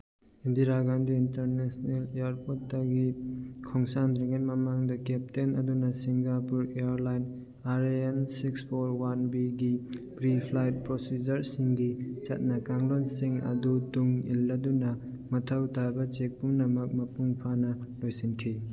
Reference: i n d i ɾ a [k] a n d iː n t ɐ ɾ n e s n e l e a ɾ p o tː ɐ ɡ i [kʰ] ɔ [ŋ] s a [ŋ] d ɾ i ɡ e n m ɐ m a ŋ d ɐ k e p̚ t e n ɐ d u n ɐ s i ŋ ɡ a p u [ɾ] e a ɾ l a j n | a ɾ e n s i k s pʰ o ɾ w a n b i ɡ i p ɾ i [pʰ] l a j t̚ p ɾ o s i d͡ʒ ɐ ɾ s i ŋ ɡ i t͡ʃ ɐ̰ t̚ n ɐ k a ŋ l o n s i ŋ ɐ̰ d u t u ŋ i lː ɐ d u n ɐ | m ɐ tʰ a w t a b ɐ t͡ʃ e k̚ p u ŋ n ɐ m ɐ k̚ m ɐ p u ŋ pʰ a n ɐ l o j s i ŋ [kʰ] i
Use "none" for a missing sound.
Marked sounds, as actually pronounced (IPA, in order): ɡ, kʰ, ŋ, n, ɾ, pʰ, kʰ

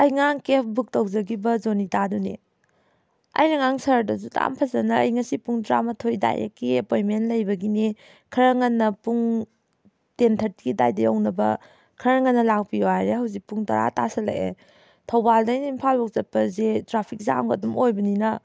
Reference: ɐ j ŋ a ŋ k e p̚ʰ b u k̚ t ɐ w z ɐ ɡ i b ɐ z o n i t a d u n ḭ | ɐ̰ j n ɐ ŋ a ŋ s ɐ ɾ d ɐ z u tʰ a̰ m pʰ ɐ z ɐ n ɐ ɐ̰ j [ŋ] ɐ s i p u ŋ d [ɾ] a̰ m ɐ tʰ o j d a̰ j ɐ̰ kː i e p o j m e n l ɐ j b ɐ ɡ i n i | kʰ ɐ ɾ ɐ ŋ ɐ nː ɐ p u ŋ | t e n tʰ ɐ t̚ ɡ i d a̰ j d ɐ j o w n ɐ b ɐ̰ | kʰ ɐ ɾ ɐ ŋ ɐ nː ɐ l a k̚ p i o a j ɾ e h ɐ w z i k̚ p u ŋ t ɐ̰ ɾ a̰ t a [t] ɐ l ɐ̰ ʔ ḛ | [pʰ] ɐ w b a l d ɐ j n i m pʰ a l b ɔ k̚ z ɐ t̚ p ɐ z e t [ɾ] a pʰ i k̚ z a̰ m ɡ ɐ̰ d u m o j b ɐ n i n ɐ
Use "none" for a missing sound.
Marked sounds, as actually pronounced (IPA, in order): ŋ, ɾ, s, tʰ, ɾ

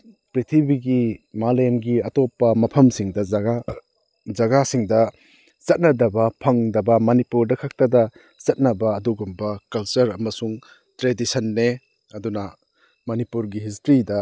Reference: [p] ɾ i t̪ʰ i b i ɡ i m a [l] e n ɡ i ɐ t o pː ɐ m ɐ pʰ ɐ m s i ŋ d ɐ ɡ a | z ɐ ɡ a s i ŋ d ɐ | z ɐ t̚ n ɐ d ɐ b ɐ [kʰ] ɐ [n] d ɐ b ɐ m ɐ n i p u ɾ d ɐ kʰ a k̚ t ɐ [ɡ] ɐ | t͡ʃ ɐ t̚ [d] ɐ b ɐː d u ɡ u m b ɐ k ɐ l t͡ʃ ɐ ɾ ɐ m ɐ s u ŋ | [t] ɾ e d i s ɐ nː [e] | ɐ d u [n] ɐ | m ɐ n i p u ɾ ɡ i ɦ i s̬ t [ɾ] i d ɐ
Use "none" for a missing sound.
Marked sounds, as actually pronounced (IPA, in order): p, l, pʰ, ŋ, d, n, t, e, n, ɾ

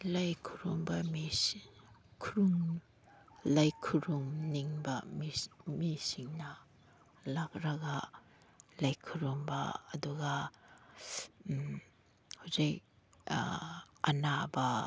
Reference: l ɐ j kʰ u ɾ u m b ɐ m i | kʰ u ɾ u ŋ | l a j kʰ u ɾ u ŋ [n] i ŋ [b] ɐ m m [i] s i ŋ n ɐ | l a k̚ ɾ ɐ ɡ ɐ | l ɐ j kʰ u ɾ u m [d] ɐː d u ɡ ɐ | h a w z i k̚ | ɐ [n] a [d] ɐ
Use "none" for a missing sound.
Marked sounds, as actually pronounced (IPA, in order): n, b, i, b, n, b

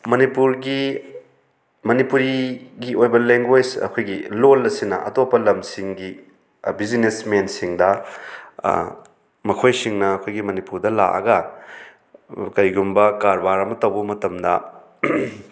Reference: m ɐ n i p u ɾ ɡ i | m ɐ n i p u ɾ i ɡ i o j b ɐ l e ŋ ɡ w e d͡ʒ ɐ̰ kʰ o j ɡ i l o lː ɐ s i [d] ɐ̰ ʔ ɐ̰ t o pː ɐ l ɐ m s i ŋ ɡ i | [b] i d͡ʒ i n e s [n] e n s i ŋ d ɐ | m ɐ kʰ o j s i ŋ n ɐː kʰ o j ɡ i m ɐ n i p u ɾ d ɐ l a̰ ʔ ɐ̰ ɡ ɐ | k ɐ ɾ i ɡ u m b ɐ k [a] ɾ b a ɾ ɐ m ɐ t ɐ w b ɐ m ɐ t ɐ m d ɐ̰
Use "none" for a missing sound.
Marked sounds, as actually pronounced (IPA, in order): n, b, m, a

